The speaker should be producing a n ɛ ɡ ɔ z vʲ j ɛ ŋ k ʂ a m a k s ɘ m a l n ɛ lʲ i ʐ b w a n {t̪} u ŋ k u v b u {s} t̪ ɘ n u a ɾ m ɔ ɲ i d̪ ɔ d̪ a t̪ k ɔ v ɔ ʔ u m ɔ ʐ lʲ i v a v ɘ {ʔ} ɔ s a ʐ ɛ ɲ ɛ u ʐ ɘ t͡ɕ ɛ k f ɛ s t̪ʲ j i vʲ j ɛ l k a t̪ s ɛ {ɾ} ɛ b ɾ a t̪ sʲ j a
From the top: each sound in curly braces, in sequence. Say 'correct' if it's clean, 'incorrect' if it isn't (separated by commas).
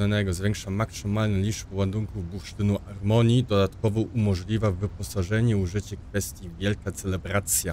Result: incorrect, incorrect, incorrect, incorrect